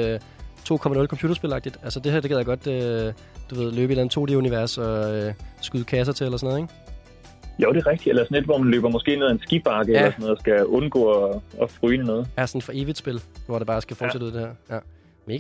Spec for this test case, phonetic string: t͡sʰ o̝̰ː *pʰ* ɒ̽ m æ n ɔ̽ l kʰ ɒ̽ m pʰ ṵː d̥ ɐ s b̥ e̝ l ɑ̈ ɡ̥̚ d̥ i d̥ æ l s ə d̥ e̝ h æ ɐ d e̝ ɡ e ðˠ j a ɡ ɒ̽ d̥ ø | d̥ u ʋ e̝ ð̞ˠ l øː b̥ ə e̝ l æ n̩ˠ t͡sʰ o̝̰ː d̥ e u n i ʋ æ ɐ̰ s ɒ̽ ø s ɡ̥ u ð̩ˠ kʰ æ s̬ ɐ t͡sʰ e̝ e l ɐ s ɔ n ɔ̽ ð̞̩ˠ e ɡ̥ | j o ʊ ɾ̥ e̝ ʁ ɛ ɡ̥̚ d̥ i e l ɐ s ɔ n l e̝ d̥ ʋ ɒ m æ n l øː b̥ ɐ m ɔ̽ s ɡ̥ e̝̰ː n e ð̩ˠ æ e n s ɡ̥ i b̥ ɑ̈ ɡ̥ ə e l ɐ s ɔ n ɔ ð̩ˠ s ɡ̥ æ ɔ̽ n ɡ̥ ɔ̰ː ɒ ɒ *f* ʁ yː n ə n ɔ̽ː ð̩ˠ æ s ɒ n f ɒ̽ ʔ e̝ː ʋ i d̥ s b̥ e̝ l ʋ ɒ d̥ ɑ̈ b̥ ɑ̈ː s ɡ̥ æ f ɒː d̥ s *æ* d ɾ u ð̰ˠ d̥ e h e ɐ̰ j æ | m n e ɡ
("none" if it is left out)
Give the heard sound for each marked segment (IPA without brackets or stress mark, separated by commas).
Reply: kʰ, f, e